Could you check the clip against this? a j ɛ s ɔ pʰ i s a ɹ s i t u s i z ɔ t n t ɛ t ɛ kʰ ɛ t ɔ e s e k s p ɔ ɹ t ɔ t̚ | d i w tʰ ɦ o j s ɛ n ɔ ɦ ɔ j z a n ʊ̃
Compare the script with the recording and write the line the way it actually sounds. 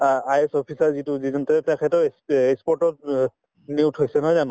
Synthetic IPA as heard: a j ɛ s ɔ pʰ i s a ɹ z i t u z i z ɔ n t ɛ t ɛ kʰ ɛ t ɔ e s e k s p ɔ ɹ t ɔ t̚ | n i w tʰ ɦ o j s ɛ n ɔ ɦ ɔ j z a n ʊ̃

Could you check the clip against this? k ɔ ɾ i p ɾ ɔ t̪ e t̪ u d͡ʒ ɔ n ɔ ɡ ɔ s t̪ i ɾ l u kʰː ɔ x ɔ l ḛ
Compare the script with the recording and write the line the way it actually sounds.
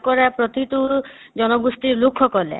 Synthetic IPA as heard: k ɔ ɾ a p ɾ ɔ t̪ i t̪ u d͡ʒ ɔ n ɔ ɡ u s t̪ i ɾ l u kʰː ɔ k ɔ l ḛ

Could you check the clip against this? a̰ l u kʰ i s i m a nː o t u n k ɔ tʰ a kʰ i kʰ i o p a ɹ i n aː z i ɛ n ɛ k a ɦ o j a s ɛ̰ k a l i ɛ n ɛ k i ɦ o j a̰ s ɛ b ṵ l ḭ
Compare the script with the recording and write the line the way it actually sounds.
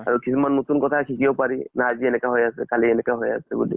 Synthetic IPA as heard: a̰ ɹ u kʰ i s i m a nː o t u n k ɔ tʰ a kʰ i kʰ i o p a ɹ i n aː z i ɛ n ɛ k a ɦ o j a s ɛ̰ k a l i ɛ n ɛ k a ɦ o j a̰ s ɛ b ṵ l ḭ

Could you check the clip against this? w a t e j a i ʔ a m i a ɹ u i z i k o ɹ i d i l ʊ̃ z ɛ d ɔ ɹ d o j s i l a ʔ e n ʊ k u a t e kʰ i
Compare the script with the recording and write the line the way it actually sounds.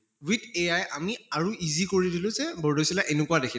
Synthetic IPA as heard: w i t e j a j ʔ a m i a ɹ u i z i k o ɹ i d i l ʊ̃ z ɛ b ɔ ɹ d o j s i l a ʔ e n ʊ k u a d e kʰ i

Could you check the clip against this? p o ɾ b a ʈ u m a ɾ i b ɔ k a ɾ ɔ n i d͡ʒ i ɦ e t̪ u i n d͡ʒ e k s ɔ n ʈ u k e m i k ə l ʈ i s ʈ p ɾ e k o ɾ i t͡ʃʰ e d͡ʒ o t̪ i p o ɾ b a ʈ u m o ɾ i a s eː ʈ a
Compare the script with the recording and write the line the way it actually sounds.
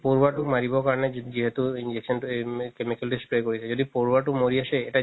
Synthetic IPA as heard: p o ɾ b a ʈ u m a ɾ i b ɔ k a ɾ ɔ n e d͡ʒ i ɦ e t̪ u i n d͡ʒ e k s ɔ n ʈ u k e m i k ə l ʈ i s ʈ p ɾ e k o ɾ i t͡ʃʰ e d͡ʒ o d̪ i p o ɾ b a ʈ u m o ɾ i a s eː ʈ a

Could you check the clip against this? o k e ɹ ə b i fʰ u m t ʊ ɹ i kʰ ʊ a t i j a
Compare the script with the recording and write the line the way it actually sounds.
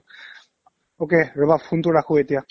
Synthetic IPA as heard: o k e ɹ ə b a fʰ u n t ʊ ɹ a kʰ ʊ e t i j a

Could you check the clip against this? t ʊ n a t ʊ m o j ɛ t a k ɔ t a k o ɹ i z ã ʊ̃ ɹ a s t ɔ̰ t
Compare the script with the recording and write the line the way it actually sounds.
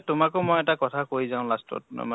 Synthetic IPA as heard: t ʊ m a k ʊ m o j ɛ t a k ɔ tʰ a k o ɹ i z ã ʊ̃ l a s t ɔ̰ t

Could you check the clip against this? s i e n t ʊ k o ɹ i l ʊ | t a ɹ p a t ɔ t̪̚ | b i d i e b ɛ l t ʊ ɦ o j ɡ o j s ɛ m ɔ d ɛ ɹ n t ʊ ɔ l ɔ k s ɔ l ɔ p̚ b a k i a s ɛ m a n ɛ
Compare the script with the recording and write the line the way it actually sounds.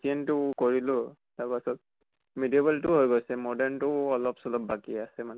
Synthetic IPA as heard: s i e n t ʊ k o ɹ i l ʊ | t a ɹ p a s ɔ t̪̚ | m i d i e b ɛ l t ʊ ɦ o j ɡ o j s ɛ m ɔ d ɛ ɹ n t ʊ ɔ l ɔ p s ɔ l ɔ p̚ b a k i a s ɛ m a n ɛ

